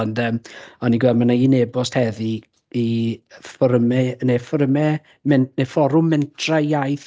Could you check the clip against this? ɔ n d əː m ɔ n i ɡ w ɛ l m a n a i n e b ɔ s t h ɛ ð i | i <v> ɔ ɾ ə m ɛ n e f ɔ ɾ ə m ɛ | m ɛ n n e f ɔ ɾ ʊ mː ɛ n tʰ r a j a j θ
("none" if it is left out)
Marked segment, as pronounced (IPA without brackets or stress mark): f